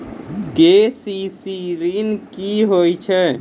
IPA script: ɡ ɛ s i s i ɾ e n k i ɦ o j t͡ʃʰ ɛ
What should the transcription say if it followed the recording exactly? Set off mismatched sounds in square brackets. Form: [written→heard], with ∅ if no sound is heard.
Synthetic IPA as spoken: ɡ [ɛ→e] s i s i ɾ [e→i] n k i ɦ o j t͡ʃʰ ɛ